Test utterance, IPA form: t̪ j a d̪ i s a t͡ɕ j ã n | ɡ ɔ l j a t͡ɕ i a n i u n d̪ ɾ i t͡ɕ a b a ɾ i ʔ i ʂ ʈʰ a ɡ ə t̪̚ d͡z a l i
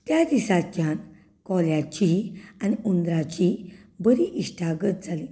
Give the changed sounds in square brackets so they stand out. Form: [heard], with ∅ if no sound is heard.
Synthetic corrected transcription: t̪ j a d̪ i s a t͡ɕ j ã n | [k] ɔ l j a t͡ɕ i a n i u n d̪ ɾ [a] t͡ɕ [i] b [ə] ɾ i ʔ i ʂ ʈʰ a ɡ ə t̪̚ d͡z a l i